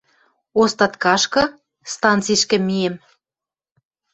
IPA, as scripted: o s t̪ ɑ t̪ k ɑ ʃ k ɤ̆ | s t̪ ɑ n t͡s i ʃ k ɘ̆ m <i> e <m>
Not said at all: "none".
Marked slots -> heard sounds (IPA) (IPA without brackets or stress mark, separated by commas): i, m